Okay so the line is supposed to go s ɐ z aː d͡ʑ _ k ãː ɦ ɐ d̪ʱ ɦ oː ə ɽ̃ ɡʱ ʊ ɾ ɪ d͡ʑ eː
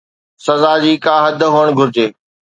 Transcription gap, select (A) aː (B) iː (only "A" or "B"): B